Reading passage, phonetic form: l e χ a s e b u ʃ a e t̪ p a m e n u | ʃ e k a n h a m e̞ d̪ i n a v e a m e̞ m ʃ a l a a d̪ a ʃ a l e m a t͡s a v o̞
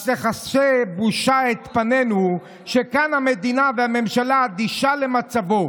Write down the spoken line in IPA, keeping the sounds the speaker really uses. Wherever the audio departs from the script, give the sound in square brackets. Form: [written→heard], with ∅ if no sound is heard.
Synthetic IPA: l e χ a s e b u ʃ a e t̪ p a [m→n] e n u | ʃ e k a n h a m e̞ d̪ i n a v e a m e̞ m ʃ a l a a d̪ [a→i] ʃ a l e m a t͡s a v o̞